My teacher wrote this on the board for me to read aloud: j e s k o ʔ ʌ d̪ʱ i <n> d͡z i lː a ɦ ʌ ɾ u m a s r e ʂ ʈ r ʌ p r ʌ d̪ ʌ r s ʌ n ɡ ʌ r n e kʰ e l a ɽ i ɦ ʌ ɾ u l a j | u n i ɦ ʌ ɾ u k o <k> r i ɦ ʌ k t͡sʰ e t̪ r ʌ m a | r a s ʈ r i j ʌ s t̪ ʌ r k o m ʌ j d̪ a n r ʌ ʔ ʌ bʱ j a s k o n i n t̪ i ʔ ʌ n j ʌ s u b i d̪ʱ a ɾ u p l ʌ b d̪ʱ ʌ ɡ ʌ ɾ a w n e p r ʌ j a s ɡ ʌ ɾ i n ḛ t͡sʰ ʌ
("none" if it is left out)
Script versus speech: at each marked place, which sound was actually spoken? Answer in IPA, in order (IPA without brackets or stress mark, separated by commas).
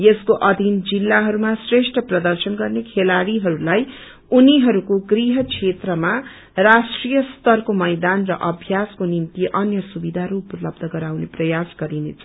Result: n, ɡ